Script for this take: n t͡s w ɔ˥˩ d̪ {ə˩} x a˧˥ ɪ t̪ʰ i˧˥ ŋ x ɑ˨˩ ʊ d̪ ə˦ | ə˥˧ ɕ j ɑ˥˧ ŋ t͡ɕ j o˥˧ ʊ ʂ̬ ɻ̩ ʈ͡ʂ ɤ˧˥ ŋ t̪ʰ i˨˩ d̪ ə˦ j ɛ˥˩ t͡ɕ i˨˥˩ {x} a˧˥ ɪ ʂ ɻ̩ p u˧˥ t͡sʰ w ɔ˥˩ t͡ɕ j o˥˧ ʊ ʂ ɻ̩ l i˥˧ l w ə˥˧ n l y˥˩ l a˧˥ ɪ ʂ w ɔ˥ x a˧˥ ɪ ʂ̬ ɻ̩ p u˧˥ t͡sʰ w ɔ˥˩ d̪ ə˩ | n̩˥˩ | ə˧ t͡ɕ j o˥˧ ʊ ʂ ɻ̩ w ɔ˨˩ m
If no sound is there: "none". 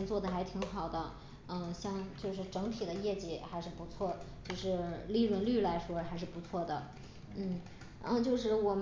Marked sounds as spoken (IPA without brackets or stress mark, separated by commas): ə˩, x